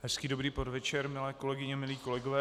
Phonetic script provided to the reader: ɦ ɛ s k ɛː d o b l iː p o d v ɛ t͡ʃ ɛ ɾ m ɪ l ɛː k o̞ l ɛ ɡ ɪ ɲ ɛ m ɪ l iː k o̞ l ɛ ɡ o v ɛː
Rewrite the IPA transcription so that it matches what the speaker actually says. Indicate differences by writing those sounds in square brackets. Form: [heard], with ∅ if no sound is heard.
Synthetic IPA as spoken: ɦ ɛ s k [iː] d o b [ɾ] iː p o d v ɛ t͡ʃ ɛ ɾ m ɪ l ɛː k o̞ l ɛ ɡ ɪ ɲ ɛ m ɪ l iː k o̞ l ɛ ɡ o v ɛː